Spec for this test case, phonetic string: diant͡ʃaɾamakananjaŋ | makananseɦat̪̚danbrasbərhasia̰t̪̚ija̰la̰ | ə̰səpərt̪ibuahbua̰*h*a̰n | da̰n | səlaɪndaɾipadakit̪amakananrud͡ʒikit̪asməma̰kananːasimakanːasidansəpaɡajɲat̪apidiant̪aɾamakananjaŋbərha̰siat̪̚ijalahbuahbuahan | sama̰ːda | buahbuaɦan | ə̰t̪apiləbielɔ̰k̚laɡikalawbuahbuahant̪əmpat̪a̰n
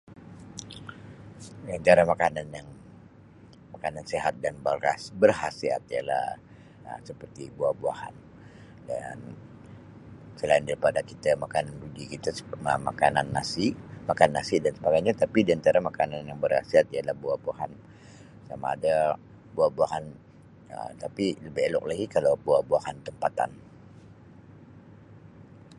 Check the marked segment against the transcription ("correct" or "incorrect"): correct